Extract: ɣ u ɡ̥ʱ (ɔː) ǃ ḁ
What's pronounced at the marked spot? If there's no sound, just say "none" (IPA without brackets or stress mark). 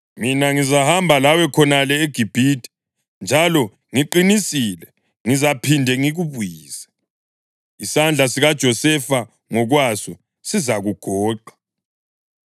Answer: ɔː